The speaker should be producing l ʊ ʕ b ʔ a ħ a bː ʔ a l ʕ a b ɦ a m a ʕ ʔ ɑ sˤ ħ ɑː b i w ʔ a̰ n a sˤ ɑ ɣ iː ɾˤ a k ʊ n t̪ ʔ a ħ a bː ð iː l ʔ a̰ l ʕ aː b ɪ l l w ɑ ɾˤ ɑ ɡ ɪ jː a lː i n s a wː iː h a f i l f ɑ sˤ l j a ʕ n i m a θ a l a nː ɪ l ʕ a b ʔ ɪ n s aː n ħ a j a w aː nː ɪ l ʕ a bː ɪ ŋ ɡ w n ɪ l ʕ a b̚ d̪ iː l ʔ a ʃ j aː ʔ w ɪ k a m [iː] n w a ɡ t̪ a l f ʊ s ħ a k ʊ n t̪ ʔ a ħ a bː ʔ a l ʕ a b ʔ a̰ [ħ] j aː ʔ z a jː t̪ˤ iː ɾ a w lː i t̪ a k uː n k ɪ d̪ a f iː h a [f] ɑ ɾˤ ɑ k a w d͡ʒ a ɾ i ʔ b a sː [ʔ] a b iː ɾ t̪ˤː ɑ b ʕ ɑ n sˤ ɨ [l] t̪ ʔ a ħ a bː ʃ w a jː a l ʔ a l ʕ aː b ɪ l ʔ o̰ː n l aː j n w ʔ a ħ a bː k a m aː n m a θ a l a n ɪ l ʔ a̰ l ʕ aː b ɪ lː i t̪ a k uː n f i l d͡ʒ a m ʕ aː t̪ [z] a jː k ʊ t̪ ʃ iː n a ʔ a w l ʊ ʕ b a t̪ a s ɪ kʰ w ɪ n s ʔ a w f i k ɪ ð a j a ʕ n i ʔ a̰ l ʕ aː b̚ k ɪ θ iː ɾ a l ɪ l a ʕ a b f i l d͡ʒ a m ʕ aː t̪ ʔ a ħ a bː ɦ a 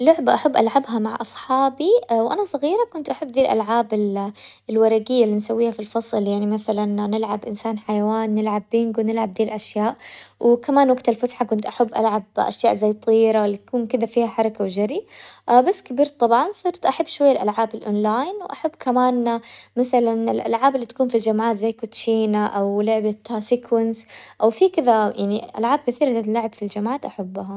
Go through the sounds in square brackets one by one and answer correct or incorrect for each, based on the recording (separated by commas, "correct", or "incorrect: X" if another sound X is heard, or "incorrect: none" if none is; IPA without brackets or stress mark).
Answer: incorrect: aː, incorrect: ʃ, incorrect: ħ, incorrect: k, incorrect: ɾ, correct